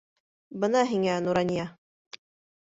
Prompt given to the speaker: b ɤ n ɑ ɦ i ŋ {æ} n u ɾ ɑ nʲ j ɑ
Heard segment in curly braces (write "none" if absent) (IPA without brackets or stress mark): æ